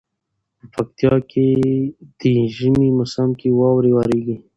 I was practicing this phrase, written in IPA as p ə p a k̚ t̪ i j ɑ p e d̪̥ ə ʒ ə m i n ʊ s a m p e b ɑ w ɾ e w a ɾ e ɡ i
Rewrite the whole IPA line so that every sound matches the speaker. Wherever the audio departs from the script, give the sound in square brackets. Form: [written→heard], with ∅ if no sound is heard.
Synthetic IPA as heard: p ə p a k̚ t̪ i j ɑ [p→k] e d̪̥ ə ʒ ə m i [n→m] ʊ s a m [p→k] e [b→w] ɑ w ɾ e w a ɾ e ɡ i

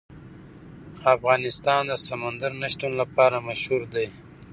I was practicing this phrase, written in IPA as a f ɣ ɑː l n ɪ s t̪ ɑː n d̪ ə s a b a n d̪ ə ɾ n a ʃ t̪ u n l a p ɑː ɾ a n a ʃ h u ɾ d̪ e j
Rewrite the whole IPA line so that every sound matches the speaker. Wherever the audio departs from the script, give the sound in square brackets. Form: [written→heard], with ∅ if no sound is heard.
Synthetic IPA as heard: a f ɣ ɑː [l→∅] n ɪ s t̪ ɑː n d̪ ə s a [b→m] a n d̪ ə ɾ n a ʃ t̪ u n l a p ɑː ɾ a [n→m] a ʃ h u ɾ d̪ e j

